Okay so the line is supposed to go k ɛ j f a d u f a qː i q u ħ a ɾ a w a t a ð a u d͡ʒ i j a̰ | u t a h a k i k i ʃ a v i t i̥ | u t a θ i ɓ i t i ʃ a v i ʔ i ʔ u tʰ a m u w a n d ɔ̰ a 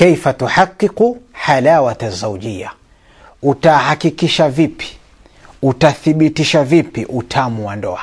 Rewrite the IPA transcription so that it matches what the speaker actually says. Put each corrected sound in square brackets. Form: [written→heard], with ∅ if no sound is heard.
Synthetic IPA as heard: k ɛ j f a [d→t] u [f→ħ] a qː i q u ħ a [ɾ→l] a w a t a [ð→z] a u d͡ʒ i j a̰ | u t a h a k i k i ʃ a v i [t→p] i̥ | u t a θ i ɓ i t i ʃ a v i [ʔ→p] i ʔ u tʰ a m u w a n d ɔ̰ a